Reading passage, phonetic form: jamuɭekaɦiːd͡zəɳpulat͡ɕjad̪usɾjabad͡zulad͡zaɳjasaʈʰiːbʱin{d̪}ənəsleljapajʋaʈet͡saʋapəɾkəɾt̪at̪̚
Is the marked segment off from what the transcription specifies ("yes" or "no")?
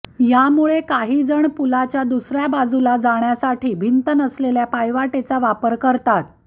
yes